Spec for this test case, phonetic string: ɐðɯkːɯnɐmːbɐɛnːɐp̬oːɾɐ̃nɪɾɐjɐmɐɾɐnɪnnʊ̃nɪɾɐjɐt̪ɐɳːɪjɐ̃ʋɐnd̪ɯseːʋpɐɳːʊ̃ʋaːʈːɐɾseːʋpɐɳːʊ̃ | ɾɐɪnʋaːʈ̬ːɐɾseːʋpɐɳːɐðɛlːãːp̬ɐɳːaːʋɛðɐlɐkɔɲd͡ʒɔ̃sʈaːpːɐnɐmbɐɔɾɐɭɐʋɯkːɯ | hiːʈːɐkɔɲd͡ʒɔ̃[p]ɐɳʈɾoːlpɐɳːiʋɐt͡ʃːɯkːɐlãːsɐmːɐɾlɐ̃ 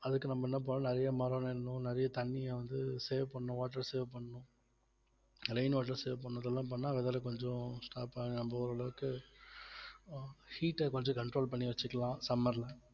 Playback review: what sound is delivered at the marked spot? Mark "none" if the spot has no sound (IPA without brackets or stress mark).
k